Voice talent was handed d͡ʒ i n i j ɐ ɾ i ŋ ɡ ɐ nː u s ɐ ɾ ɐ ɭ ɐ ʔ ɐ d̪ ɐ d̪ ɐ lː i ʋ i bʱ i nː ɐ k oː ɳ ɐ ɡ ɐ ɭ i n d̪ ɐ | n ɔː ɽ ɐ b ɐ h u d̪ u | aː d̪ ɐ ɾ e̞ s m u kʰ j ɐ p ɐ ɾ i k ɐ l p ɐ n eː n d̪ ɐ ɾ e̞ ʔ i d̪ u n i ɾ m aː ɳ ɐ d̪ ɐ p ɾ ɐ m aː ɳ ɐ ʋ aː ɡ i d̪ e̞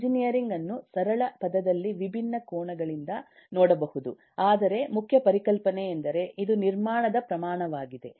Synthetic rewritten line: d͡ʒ i n i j ɐ ɾ i ŋ ɡ ɐ nː u s ɐ ɾ ɐ ɭ ɐ p ɐ d̪ ɐ d̪ ɐ lː i ʋ i bʱ i nː ɐ k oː ɳ ɐ ɡ ɐ ɭ i n d̪ ɐ | n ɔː ɽ ɐ b ɐ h u d̪ u | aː d̪ ɐ ɾ e̞ m u kʰ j ɐ p ɐ ɾ i k ɐ l p ɐ n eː n d̪ ɐ ɾ e̞ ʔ i d̪ u n i ɾ m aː ɳ ɐ d̪ ɐ p ɾ ɐ m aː ɳ ɐ ʋ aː ɡ i d̪ e̞